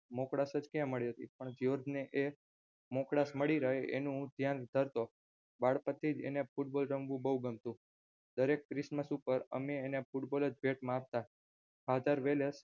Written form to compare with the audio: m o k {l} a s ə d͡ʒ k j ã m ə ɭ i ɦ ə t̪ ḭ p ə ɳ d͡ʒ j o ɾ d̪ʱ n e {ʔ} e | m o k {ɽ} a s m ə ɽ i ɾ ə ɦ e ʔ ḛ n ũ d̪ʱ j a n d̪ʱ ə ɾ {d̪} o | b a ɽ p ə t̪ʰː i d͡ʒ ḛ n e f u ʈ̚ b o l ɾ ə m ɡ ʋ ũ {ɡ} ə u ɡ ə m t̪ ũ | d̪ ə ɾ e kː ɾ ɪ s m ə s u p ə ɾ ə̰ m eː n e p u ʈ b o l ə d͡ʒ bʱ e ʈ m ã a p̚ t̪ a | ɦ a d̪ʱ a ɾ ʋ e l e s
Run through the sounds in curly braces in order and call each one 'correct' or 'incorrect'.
incorrect: ɽ, correct, correct, incorrect: t̪, incorrect: b

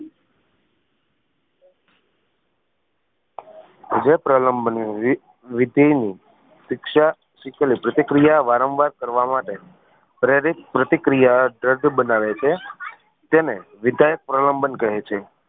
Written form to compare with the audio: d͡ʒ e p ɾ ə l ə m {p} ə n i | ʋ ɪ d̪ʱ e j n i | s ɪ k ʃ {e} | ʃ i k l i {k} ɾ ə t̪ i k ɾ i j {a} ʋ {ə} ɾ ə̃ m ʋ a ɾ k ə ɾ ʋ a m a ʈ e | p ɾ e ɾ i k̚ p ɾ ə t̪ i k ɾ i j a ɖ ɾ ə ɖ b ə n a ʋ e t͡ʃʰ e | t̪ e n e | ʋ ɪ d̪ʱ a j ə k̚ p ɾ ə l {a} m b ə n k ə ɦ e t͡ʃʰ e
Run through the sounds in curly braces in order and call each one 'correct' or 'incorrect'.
incorrect: b, incorrect: a, incorrect: p, correct, incorrect: a, incorrect: ə

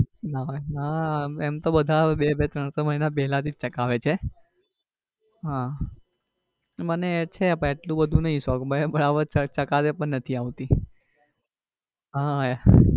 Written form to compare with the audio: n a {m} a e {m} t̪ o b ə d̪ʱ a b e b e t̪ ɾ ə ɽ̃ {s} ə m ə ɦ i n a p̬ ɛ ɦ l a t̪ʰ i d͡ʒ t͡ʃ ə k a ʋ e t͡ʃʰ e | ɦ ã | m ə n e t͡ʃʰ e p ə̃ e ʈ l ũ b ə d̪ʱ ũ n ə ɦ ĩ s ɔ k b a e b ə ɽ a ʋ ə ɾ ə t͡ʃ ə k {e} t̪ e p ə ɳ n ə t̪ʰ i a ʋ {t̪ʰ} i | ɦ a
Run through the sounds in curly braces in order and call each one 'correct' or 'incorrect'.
incorrect: n, correct, correct, incorrect: a, incorrect: t̪

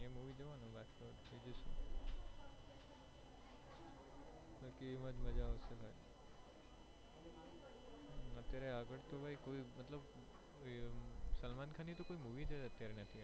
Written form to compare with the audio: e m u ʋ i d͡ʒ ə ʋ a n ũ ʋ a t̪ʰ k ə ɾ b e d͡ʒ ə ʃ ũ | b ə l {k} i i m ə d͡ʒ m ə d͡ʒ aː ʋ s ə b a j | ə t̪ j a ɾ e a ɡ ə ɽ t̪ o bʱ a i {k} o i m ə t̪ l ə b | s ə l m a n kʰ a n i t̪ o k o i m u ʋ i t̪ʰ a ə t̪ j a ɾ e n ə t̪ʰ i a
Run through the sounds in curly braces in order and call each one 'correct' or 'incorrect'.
correct, correct

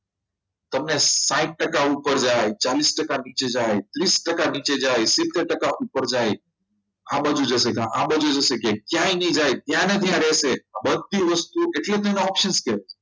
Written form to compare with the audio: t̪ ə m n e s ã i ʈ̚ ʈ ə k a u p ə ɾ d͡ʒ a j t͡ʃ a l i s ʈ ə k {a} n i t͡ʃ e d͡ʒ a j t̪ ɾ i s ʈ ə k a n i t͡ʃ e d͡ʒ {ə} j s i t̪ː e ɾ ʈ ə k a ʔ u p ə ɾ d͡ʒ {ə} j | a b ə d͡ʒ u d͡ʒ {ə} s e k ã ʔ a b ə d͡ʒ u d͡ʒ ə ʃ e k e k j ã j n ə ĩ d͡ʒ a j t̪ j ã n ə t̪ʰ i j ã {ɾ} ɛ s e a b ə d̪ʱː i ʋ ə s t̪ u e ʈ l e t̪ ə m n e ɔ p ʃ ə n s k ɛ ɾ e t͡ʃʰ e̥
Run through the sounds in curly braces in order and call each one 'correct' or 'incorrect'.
correct, incorrect: a, incorrect: a, correct, correct

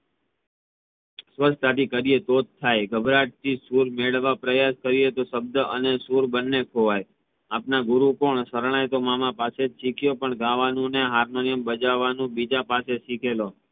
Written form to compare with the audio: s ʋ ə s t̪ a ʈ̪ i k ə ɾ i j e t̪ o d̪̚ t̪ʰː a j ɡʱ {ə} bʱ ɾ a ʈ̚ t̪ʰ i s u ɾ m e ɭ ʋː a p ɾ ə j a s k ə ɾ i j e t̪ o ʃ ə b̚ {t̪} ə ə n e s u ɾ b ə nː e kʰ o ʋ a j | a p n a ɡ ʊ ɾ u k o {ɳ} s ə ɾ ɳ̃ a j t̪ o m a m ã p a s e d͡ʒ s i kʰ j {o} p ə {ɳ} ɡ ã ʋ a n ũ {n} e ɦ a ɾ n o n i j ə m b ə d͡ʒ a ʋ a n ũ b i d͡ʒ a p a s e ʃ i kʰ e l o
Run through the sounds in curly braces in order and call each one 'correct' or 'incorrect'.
correct, incorrect: d̪, correct, correct, correct, correct

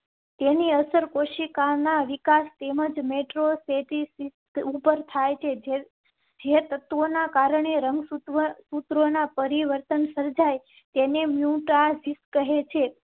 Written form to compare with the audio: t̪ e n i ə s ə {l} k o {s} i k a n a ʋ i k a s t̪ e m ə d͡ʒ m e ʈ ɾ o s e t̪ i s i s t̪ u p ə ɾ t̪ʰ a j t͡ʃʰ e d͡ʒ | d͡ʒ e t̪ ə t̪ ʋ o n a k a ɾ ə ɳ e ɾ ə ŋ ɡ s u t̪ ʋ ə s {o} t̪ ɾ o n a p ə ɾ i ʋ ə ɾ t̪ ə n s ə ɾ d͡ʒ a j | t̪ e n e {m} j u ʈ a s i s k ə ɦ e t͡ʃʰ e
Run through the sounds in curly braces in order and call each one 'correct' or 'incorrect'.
incorrect: ɾ, incorrect: ʃ, incorrect: u, correct

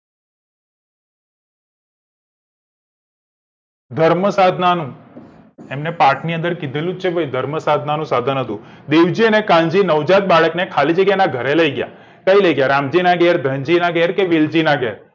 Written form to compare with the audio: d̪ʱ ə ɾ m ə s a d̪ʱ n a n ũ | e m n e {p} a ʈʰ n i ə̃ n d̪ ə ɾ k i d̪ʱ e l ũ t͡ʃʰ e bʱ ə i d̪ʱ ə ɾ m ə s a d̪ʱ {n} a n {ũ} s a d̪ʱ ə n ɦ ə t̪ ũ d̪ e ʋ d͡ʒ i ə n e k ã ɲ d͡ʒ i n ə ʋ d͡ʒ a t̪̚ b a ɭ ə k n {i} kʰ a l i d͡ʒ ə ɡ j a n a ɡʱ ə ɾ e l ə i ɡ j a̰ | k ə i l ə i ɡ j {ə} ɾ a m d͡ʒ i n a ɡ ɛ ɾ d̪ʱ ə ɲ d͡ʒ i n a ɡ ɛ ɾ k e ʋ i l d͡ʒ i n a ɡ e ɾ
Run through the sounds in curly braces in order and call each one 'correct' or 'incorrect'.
correct, correct, correct, incorrect: e, incorrect: a

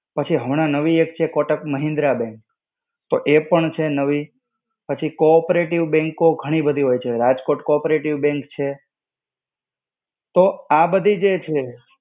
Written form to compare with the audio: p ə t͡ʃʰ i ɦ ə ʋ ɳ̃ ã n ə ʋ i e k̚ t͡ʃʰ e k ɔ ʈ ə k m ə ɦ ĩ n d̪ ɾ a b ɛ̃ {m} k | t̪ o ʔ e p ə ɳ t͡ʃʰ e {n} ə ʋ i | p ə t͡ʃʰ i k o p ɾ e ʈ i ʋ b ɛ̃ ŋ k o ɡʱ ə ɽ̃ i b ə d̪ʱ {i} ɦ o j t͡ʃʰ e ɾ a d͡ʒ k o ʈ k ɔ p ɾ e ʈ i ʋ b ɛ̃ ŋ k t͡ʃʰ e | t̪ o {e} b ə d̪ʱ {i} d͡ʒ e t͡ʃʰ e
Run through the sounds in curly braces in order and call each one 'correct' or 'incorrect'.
incorrect: ŋ, correct, correct, incorrect: a, correct

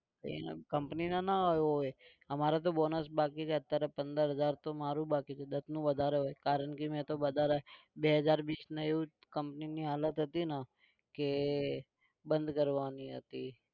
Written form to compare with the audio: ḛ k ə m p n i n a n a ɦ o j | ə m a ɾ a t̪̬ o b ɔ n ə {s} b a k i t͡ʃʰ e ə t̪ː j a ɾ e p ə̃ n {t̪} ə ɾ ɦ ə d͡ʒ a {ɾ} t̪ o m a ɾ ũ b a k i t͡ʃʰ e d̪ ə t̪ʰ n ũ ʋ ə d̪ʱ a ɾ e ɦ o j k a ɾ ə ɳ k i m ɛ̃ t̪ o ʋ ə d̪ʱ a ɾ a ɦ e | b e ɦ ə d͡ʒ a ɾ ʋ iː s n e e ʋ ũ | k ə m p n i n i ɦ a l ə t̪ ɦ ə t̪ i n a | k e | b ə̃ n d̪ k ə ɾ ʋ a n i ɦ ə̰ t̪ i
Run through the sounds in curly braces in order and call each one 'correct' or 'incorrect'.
correct, incorrect: d̪, correct

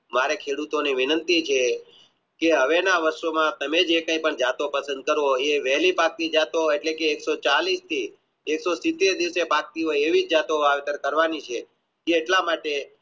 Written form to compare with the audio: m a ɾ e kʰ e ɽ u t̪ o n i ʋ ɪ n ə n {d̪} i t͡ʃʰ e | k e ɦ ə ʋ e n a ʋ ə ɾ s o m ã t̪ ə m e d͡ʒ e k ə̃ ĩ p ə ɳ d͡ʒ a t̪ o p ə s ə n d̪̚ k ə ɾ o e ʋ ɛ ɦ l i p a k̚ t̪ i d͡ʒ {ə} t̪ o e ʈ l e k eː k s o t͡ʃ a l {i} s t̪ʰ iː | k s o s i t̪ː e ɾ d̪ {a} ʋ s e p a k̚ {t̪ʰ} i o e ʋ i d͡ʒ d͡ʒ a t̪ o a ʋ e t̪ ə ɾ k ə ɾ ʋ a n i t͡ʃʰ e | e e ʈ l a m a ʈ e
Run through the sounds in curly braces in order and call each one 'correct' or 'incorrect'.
incorrect: t̪, incorrect: a, correct, incorrect: i, incorrect: t̪

